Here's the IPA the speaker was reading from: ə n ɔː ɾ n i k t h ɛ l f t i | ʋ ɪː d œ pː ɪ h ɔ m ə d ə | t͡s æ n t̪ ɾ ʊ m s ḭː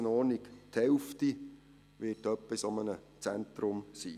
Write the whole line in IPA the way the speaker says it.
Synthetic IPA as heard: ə n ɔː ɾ n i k t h ɛ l f t i | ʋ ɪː t œ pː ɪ s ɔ m ə n ə | t͡s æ n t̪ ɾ ʊ m s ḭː